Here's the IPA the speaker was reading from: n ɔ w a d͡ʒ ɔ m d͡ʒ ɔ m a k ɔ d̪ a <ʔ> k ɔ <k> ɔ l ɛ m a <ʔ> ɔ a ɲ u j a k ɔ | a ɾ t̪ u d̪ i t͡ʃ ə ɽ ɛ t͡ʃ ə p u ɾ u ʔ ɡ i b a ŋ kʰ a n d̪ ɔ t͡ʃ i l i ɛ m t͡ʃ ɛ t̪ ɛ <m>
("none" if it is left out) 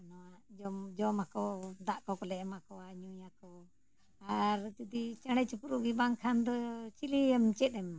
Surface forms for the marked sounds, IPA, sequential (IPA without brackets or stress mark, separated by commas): ʔ, k, k, m